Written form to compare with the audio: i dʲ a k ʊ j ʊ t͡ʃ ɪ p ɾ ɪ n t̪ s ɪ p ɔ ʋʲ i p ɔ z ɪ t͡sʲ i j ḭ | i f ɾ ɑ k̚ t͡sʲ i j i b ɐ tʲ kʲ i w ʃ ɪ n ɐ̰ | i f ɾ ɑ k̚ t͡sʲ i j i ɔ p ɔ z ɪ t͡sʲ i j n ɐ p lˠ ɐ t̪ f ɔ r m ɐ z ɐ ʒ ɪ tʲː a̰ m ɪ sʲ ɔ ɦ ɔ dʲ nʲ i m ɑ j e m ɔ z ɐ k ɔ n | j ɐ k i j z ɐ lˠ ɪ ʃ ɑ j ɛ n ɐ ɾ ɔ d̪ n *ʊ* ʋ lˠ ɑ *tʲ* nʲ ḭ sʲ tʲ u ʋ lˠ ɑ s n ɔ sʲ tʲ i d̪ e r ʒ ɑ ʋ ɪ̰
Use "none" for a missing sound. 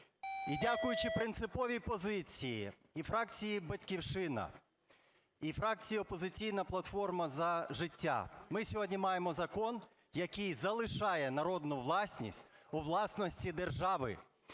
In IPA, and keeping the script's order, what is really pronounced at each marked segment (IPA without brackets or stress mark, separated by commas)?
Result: ʊ, sʲ